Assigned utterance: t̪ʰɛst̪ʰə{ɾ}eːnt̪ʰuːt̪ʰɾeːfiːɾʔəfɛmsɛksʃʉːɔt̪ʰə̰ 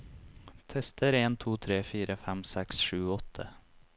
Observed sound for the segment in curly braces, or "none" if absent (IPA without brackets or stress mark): ɾ